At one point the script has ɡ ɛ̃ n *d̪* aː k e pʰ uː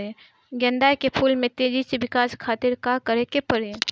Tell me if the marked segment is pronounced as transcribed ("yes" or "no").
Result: yes